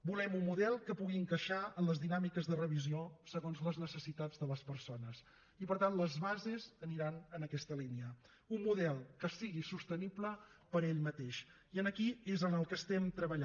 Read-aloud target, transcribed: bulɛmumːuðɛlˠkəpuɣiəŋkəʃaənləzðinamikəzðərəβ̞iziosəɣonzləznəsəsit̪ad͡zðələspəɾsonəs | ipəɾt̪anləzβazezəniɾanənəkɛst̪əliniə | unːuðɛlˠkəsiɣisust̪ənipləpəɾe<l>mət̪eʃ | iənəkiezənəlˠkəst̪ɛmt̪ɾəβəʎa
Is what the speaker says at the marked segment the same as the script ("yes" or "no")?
no